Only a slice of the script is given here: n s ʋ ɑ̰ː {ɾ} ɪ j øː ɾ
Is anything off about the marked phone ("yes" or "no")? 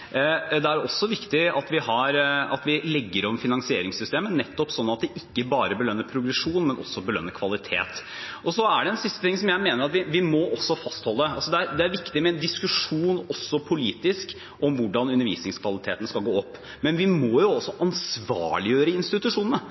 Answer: yes